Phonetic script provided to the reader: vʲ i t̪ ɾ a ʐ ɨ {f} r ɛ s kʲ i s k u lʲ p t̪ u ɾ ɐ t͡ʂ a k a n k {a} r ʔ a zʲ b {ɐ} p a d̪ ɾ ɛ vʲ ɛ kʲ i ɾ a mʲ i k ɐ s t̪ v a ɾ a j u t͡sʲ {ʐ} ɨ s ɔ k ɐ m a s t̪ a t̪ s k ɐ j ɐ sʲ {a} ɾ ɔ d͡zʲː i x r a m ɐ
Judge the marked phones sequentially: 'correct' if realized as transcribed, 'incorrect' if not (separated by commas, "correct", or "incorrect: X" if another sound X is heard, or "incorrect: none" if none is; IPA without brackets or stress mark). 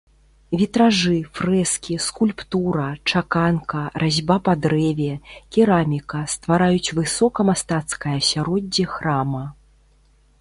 correct, incorrect: ɐ, incorrect: a, incorrect: v, correct